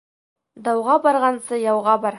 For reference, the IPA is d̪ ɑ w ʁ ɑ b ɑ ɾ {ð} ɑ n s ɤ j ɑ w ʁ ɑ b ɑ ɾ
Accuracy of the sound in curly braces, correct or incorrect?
incorrect